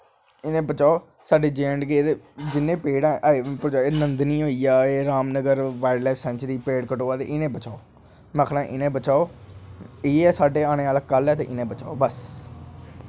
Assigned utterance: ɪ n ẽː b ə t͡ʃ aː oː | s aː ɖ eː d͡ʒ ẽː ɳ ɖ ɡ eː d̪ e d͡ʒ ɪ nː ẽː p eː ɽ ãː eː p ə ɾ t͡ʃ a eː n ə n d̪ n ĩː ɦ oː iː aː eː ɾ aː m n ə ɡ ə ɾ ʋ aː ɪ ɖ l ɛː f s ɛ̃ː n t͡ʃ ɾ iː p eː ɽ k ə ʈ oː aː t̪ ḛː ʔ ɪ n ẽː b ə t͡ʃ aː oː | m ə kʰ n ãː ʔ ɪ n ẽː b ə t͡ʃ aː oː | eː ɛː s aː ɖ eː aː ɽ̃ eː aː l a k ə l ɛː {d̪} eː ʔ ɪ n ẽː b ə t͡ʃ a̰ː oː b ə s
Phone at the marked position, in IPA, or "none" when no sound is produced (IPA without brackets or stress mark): t̪